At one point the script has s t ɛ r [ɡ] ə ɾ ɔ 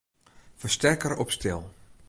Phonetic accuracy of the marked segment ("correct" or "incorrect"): incorrect